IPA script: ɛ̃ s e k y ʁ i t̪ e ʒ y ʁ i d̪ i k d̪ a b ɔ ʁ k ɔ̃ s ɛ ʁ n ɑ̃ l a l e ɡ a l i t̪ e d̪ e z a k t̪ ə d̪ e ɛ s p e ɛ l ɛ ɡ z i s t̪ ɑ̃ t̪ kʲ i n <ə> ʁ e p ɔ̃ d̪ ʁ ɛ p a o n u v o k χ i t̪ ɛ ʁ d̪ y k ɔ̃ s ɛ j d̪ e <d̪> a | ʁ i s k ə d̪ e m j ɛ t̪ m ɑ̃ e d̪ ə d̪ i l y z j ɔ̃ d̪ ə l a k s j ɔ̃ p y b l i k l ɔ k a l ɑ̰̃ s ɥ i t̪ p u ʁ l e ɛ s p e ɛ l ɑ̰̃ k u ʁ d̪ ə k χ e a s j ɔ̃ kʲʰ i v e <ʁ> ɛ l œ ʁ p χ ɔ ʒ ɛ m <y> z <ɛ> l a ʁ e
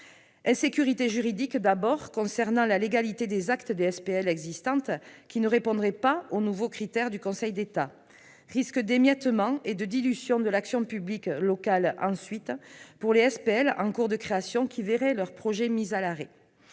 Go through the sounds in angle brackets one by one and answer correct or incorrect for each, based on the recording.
correct, incorrect: t̪, correct, incorrect: i, incorrect: a

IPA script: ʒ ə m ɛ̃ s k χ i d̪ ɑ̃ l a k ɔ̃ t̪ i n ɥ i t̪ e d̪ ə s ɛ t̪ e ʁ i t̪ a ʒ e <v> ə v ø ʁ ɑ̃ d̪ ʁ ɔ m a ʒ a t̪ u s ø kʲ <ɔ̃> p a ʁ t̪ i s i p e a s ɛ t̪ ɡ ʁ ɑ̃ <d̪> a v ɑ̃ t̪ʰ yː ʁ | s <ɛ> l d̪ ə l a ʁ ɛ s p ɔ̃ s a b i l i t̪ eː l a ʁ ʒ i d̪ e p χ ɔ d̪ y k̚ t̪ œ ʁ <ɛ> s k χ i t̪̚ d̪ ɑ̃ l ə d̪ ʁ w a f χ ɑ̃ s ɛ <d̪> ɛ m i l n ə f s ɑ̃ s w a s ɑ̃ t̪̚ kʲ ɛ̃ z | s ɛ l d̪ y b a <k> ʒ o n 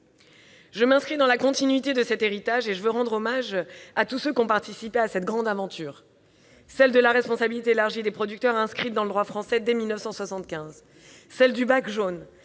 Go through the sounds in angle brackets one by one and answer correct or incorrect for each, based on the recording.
incorrect: ʒ, correct, correct, correct, incorrect: ɛ̃, correct, correct

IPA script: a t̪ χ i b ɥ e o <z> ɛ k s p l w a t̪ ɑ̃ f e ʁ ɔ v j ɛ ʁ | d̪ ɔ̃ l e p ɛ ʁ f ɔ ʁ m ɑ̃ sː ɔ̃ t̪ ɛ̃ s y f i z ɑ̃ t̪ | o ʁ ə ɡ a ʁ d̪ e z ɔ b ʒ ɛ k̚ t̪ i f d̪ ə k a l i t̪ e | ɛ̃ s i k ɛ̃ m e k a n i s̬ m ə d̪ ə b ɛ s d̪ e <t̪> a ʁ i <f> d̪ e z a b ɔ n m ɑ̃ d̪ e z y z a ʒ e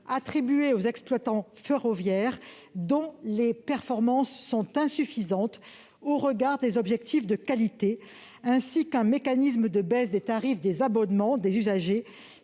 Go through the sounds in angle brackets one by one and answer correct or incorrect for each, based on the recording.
correct, correct, correct

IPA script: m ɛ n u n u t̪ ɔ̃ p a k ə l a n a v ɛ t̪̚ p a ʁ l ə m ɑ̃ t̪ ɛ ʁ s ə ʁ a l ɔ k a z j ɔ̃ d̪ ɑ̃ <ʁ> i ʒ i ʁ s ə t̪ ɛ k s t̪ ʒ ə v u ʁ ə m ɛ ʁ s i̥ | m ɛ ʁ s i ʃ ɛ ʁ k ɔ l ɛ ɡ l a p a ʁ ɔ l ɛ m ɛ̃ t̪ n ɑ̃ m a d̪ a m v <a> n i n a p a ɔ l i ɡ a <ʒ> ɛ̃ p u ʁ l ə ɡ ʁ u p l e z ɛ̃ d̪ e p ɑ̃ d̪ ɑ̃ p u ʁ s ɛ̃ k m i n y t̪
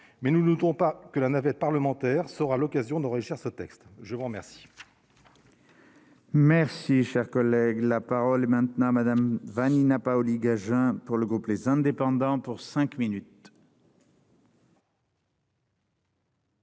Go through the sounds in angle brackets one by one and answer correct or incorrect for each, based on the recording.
correct, correct, correct

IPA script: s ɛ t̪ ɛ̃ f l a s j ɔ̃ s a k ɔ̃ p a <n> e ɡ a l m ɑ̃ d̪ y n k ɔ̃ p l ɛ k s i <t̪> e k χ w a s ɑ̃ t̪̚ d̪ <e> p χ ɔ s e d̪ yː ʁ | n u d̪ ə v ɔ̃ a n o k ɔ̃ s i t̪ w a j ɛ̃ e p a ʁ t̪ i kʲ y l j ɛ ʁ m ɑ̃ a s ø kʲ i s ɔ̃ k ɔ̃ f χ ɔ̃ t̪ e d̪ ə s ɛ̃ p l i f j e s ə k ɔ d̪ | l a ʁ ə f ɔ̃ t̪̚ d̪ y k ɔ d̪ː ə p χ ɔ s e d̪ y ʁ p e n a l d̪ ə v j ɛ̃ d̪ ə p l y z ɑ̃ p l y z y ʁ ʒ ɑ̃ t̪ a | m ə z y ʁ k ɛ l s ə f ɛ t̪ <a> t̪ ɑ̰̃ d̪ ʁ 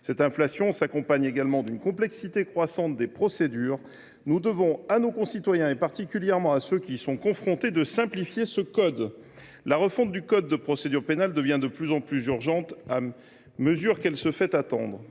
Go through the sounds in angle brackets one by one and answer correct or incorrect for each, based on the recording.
incorrect: ɲ, correct, correct, correct

